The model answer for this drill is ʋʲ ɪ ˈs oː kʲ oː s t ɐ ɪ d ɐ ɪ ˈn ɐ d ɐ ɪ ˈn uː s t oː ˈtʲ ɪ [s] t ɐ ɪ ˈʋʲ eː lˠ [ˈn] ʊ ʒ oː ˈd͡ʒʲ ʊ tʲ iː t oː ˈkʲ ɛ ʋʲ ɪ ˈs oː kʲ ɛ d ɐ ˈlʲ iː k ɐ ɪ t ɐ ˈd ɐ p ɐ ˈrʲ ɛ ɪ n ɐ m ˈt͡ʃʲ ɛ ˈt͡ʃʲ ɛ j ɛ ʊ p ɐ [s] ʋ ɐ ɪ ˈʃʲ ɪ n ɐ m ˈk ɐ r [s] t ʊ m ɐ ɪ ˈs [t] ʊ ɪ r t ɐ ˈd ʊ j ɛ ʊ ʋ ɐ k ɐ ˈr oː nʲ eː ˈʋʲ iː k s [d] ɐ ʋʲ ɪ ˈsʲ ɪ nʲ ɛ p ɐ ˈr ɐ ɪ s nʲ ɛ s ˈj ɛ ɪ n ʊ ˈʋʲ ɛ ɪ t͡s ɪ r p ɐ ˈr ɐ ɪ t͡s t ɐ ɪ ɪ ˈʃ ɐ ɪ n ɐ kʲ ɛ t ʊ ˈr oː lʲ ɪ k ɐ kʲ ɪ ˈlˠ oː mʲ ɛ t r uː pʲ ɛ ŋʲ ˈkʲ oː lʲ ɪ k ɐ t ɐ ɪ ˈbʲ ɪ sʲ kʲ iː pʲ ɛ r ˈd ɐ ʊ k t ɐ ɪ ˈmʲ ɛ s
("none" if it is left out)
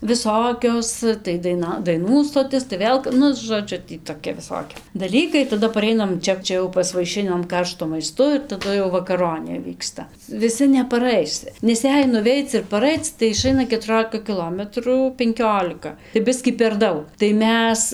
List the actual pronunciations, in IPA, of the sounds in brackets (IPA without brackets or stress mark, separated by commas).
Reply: s, n, s, ʃ, t, t